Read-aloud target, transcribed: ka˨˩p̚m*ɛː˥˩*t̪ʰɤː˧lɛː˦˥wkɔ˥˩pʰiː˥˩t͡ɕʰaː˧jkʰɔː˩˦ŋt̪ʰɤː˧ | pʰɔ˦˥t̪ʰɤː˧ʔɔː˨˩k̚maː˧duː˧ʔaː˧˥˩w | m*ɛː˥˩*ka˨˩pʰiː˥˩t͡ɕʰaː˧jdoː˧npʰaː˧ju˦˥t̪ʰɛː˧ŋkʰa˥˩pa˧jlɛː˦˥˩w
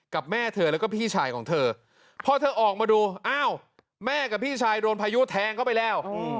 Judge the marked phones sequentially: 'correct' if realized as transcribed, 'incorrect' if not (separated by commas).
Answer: correct, correct